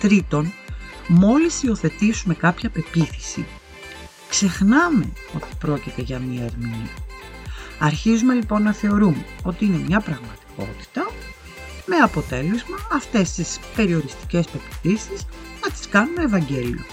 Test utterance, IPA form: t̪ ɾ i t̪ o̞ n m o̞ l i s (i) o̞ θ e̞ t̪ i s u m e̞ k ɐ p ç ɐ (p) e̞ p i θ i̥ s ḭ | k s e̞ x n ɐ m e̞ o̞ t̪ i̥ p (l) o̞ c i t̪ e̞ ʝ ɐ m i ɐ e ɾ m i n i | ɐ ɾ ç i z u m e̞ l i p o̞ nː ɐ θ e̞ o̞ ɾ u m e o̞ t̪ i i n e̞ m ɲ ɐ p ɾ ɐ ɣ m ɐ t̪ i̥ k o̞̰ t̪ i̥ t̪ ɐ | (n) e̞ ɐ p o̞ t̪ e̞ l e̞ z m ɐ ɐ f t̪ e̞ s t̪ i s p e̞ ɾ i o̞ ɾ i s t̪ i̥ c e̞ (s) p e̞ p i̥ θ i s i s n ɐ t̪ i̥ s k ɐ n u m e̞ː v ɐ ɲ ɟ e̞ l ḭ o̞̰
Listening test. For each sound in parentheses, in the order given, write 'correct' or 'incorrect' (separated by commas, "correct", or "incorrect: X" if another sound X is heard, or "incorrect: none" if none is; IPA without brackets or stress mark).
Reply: correct, correct, incorrect: ɾ, incorrect: m, correct